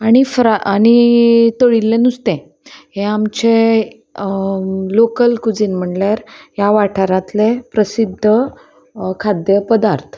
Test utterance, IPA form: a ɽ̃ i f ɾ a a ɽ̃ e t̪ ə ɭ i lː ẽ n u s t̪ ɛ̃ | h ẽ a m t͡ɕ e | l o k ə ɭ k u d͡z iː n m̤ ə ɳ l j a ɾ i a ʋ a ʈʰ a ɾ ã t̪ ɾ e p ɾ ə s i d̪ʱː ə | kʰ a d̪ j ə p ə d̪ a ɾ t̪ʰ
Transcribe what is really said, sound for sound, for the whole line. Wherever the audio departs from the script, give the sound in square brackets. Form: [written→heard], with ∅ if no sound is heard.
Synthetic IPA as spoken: a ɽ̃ i f ɾ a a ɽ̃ [e→i] t̪ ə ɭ i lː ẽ n u s t̪ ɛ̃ | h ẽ a m t͡ɕ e | l o k ə [ɭ→l] k u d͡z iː n m̤ ə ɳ l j a ɾ [i→j] a ʋ a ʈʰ a ɾ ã t̪ [ɾ→l] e p ɾ ə s i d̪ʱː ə | kʰ a d̪ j ə p ə d̪ a ɾ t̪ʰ